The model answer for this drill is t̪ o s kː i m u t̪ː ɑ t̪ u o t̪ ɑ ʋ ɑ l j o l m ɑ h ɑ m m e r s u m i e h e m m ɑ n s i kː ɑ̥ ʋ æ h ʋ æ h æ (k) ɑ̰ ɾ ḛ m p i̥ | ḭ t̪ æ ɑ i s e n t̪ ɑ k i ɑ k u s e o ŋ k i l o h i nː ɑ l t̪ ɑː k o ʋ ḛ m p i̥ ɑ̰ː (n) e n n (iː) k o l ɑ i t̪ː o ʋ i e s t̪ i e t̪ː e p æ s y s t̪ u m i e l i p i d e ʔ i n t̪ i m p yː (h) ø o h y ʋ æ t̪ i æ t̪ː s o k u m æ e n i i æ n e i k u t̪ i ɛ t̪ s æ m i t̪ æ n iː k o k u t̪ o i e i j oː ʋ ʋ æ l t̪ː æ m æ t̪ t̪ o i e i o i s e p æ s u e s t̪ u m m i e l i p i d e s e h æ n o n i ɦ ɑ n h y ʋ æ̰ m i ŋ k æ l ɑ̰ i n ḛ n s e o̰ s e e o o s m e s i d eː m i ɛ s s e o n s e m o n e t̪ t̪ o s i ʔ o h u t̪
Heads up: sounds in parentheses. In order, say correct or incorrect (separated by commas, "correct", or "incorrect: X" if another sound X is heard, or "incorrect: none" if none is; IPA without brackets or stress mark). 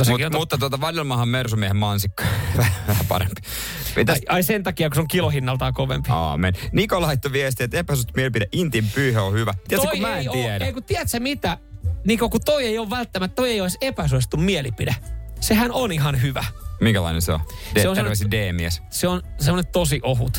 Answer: incorrect: p, incorrect: m, incorrect: i, correct